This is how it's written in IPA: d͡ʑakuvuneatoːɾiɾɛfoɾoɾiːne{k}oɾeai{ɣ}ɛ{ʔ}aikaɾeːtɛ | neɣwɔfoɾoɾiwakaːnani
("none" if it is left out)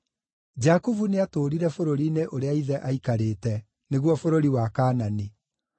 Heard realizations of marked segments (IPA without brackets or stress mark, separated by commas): ʔ, ð, ʔ